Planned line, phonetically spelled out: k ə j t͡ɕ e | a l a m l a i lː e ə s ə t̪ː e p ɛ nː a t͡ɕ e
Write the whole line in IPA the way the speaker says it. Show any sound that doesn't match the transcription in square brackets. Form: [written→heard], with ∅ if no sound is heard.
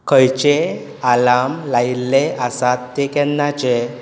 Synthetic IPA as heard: k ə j t͡ɕ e | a l a m l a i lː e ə s [ə→a] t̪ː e [p→k] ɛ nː a t͡ɕ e